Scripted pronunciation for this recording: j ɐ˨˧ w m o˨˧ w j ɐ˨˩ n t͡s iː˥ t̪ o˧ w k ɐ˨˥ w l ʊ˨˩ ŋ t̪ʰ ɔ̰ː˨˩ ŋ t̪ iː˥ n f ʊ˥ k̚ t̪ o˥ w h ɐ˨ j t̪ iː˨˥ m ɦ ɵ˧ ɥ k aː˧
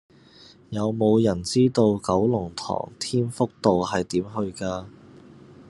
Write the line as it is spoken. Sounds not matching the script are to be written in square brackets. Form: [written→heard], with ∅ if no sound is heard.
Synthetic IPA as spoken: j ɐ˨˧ w m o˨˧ w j ɐ˨˩ n t͡s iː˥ t̪ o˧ w k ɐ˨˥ w l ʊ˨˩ ŋ t̪ʰ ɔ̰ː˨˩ ŋ [t̪→t̪ʰ] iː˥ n f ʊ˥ k̚ t̪ [o˥→o˨] w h ɐ˨ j t̪ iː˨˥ m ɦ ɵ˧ ɥ k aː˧